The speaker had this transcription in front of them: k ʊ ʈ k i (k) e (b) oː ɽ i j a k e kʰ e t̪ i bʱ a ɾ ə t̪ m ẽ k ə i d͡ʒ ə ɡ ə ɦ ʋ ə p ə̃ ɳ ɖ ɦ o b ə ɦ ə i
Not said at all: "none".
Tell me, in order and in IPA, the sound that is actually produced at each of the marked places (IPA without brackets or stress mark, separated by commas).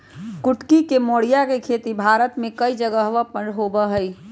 k, m